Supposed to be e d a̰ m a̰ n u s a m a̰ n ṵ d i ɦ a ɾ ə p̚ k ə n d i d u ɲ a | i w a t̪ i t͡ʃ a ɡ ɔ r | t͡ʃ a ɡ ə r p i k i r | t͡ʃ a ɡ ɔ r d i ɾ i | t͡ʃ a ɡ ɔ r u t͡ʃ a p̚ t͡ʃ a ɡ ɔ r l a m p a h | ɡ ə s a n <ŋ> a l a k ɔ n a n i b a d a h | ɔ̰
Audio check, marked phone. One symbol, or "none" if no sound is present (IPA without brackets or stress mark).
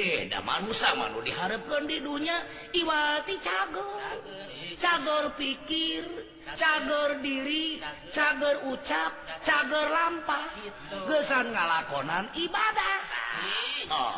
ŋ